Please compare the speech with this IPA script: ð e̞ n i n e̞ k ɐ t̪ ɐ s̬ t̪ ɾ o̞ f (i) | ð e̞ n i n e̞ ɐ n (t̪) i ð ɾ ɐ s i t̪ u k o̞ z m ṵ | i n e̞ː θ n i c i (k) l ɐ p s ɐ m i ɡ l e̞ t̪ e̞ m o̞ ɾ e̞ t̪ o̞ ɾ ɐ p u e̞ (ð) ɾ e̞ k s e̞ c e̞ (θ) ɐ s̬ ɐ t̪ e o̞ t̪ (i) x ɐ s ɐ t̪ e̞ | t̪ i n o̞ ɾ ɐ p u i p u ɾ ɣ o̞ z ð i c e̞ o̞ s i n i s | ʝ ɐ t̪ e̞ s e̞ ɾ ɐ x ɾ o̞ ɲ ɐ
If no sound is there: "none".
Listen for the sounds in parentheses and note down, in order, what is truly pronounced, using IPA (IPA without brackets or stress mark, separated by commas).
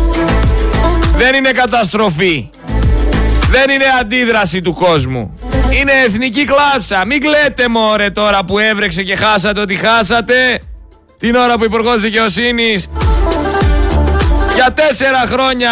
i, d̪, k, v, x, i